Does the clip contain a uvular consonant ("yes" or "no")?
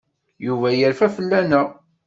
no